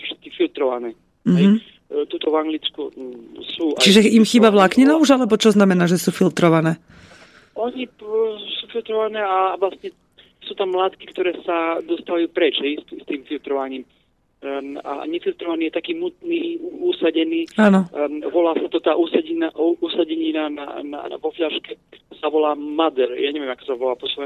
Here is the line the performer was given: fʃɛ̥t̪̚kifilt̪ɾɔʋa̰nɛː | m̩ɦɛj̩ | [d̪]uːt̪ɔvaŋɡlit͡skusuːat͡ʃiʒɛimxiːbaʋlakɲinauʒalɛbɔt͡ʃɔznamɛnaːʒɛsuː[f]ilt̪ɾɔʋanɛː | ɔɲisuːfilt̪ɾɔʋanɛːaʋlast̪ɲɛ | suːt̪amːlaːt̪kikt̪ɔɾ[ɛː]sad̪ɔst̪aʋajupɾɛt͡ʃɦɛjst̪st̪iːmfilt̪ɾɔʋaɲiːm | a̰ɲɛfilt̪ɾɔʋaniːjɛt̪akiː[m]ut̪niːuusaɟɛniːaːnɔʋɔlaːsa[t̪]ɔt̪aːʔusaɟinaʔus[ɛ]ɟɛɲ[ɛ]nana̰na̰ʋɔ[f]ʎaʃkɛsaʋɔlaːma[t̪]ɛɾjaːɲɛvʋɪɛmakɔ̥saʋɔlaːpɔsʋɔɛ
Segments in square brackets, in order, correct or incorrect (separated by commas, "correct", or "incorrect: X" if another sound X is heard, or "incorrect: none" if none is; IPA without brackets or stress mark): incorrect: t̪, correct, correct, correct, correct, incorrect: a, incorrect: i, correct, incorrect: d̪